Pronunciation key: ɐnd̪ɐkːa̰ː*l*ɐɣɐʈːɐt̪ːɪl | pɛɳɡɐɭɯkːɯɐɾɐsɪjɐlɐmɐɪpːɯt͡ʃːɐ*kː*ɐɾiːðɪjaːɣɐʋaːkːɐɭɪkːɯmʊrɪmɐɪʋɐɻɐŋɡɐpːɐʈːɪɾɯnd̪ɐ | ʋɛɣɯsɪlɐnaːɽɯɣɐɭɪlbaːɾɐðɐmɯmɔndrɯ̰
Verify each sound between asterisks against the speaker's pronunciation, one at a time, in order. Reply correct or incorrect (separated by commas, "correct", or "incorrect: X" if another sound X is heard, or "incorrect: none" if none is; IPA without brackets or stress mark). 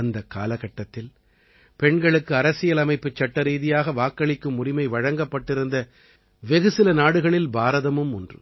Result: correct, incorrect: ʈː